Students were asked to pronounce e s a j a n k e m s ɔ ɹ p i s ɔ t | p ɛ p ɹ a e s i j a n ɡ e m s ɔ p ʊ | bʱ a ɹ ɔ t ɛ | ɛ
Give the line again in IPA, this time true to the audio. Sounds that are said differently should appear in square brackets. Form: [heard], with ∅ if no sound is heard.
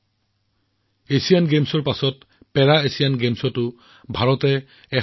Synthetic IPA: e s [i] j a n [ɡ] e m s ɔ ɹ p [a] s ɔ t | p ɛ [∅] ɹ a e s i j a n ɡ e m s ɔ [t] ʊ | bʱ a ɹ ɔ t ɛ | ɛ